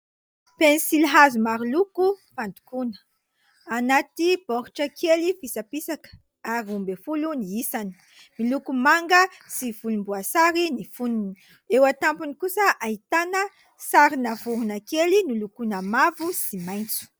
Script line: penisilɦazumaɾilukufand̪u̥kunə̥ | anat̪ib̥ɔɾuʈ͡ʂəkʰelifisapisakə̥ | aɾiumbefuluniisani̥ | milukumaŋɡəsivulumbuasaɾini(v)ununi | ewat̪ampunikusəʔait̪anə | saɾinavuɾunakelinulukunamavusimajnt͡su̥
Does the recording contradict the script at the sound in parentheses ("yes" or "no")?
yes